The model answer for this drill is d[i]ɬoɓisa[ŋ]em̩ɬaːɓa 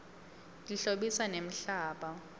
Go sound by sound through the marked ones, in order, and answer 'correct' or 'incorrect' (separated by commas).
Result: correct, incorrect